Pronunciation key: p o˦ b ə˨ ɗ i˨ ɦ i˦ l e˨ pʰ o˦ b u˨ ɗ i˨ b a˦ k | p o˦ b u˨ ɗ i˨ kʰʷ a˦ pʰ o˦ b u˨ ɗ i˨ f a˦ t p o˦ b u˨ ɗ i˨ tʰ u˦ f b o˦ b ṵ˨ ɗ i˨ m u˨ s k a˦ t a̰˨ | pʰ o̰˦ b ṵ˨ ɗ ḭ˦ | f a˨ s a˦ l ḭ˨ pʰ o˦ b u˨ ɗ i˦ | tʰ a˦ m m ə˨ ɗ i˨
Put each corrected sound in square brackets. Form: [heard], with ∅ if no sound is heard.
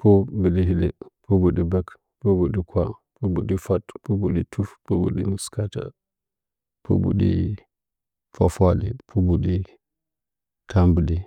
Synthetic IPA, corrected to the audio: p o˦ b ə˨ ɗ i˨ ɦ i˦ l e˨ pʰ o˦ b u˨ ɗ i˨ b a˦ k | p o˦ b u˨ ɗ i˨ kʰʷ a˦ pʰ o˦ b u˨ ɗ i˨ f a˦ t p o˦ b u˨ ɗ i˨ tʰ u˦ f [p] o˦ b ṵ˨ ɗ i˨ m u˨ s k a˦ t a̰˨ | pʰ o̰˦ b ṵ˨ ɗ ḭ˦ | f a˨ [f] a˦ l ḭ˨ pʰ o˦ b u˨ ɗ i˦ | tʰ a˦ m [b] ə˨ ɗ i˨